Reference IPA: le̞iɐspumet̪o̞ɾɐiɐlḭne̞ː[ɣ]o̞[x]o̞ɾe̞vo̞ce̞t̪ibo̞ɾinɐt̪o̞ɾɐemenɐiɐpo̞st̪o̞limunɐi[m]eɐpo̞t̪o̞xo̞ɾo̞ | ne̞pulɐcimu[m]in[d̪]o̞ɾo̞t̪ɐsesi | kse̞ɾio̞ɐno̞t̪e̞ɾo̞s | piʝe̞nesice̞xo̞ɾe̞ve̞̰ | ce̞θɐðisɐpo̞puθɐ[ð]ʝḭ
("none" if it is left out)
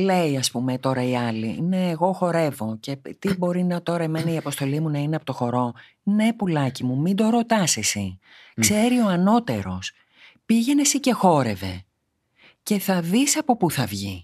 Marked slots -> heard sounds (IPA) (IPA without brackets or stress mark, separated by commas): ɣ, x, n, m, d̪, v